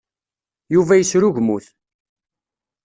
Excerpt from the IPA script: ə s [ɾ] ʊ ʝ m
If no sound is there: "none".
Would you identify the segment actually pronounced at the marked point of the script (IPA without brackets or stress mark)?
ɾ